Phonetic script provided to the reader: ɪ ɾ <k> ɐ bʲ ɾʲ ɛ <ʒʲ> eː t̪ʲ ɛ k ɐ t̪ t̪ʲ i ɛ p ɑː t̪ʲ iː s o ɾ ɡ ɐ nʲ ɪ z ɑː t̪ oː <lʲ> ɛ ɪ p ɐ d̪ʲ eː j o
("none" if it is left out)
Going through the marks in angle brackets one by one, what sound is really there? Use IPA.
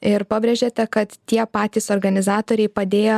p, ʒʲ, ɾʲ

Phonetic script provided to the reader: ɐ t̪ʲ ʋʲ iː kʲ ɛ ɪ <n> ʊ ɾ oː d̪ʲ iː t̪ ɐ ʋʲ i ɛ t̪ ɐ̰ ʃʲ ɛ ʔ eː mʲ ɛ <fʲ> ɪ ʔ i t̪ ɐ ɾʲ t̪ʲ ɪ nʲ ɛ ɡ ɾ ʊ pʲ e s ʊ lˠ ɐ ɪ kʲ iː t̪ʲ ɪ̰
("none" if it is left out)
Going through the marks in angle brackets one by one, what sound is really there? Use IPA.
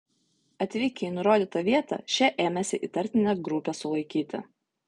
n, sʲ

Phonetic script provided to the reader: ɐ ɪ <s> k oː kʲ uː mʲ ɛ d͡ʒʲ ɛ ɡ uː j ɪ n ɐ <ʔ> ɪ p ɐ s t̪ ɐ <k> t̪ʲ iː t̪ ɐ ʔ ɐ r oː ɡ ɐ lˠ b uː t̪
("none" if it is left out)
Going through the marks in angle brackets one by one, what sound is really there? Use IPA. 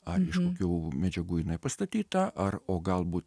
ʃ, none, none

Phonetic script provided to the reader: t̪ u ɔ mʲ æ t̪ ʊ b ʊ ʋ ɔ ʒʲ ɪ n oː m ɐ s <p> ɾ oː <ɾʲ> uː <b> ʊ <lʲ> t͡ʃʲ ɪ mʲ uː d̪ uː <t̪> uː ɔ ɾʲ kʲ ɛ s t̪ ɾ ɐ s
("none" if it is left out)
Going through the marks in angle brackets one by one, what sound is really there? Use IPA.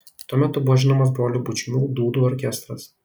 b, lʲ, b, none, d̪

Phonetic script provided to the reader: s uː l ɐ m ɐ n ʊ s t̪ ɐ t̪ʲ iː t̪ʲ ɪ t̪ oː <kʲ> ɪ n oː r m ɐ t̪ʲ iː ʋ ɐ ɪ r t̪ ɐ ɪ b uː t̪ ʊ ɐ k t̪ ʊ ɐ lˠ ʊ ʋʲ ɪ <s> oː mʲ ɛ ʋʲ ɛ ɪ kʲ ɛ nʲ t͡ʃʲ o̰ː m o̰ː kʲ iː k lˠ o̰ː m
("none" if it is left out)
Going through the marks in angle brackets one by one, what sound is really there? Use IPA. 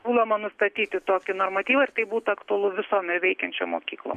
kʲ, s

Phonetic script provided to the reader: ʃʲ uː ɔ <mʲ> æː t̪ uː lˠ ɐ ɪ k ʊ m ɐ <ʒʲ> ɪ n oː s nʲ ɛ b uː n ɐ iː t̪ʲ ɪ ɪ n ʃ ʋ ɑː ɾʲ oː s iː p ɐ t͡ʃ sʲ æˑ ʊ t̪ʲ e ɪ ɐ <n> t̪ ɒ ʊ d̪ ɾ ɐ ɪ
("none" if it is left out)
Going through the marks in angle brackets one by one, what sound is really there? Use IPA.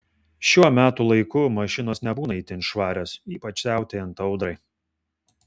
mʲ, ʃʲ, n

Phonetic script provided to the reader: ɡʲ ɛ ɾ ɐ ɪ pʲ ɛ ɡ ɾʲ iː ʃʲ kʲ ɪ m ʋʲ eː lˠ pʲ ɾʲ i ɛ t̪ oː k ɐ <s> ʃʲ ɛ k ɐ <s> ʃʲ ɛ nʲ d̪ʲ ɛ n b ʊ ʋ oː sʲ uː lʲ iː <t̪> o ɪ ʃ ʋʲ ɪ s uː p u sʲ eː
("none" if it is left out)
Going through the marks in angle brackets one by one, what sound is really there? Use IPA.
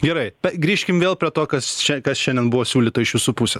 s, s, t̪

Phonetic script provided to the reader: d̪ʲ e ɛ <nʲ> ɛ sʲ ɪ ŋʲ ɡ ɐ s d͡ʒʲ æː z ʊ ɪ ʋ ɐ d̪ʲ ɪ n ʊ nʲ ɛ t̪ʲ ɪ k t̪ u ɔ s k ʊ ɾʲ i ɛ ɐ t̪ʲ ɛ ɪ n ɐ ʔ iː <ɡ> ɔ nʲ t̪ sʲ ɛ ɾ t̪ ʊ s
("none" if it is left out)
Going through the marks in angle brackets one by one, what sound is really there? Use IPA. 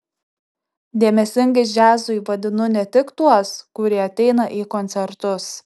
mʲ, k

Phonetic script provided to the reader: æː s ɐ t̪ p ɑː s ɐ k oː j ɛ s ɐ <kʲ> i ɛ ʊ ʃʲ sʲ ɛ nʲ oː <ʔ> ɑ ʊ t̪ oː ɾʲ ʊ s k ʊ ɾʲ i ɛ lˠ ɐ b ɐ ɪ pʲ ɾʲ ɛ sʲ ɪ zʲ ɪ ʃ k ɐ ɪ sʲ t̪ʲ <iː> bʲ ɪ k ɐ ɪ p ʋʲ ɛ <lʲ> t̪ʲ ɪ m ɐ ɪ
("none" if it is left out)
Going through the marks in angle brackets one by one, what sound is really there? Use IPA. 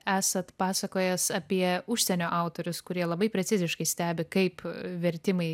pʲ, ʔ, æː, ɾʲ

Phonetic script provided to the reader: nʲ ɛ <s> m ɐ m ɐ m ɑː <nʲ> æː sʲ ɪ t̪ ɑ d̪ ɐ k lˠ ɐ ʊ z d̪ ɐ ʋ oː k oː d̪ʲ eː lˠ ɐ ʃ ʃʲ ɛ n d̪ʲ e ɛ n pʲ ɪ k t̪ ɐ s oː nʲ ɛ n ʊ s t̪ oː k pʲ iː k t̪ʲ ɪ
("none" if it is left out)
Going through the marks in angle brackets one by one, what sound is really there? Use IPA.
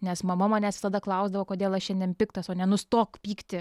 s, nʲ

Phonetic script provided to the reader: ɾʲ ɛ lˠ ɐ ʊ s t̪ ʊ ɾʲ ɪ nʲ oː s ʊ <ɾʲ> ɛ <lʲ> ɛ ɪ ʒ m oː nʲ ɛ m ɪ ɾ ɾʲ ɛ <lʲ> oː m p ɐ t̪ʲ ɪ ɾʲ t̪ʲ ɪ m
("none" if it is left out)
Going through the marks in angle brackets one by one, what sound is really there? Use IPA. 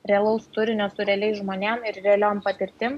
ɾʲ, lʲ, lʲ

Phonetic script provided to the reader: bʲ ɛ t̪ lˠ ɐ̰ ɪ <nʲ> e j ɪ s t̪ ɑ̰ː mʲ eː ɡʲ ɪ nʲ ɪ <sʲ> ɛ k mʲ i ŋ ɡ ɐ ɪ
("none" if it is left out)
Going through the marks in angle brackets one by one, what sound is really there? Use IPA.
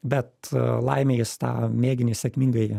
mʲ, sʲ

